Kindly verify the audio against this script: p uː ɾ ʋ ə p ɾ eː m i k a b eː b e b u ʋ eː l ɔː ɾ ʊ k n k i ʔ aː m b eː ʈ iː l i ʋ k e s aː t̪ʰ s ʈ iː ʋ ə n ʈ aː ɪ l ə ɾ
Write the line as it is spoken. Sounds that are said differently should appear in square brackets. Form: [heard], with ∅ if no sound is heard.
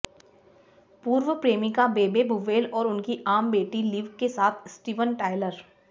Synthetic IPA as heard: p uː ɾ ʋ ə p ɾ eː m i k a b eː b e b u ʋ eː l ɔː ɾ ʊ [∅] n k i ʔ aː m b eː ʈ [i] l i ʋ k e s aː t̪ʰ s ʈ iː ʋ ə n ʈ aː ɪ l ə ɾ